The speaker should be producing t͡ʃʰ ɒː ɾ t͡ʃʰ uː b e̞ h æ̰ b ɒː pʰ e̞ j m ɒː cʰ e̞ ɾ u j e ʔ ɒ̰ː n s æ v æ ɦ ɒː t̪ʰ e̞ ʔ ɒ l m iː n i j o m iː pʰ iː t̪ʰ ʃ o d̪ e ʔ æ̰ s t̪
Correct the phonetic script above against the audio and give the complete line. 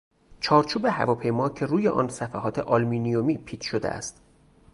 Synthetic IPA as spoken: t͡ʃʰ ɒː ɾ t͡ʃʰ uː b e̞ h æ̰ v ɒː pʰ e̞ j m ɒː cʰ e̞ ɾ uː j e ʔ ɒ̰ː n s æ f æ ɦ ɒː t̪ʰ e̞ ʔ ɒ l m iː n i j o m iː pʰ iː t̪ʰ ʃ o d̪ e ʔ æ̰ s t̪